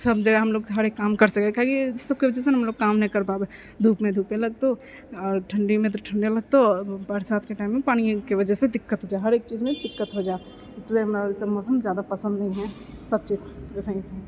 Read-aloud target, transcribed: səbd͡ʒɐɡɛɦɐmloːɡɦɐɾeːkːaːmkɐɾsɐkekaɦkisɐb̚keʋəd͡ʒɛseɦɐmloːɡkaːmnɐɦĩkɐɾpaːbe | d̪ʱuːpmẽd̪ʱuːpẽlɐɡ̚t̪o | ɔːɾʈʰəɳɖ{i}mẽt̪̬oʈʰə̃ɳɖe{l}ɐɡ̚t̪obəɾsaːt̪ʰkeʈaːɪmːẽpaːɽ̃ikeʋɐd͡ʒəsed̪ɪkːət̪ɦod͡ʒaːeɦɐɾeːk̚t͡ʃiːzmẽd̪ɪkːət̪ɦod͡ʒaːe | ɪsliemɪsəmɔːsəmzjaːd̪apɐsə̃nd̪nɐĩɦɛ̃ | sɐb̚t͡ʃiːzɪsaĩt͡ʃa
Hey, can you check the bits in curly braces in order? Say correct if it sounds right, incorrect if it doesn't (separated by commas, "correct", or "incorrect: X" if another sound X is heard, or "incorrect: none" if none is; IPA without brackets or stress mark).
correct, correct